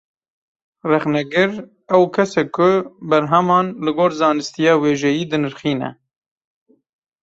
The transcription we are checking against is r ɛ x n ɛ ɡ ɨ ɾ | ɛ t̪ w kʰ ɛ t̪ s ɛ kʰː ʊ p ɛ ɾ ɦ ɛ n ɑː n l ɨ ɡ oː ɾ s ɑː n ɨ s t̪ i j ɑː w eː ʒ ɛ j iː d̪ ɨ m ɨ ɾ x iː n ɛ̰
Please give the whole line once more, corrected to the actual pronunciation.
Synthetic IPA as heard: r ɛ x n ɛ ɡ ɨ ɾ | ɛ w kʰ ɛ s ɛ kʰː ʊ b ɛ ɾ ɦ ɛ m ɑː n l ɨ ɡ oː ɾ z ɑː n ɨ s t̪ i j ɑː w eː ʒ ɛ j iː d̪ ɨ n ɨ ɾ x iː n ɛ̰